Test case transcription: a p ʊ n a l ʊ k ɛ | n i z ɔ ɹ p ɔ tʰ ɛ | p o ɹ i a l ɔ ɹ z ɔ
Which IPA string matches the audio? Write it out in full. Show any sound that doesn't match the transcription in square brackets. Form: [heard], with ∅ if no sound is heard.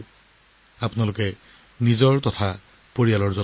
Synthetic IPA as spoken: a p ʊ n a l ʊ k ɛ | n i z ɔ ɹ [t] ɔ tʰ [a] | p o ɹ i a l ɔ ɹ z ɔ